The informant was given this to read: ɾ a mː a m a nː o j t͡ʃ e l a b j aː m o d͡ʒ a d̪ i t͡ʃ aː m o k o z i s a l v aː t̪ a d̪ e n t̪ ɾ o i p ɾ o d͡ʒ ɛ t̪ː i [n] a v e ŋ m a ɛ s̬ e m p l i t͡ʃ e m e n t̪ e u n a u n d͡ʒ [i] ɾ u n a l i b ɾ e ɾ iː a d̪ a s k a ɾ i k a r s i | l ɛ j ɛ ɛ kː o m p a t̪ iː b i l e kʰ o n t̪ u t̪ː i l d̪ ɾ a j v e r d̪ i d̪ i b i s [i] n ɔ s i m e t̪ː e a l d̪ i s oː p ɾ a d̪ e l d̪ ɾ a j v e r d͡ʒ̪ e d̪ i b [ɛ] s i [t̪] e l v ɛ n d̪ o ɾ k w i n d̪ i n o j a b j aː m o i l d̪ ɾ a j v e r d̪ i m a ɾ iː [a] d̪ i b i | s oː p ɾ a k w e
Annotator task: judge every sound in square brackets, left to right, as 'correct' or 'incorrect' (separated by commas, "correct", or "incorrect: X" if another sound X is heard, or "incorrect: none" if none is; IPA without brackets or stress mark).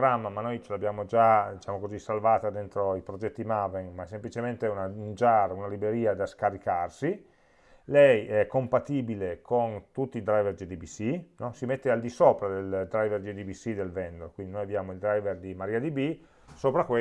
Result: incorrect: m, incorrect: a, correct, incorrect: i, incorrect: d̪, correct